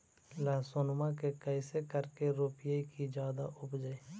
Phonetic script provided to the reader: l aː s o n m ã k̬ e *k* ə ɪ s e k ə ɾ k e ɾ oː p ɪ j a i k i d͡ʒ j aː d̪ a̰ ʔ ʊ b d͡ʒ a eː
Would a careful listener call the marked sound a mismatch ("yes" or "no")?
no